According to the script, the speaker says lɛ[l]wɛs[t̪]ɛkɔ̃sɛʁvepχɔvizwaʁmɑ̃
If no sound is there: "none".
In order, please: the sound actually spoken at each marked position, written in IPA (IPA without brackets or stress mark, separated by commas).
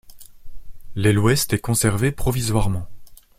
l, t̪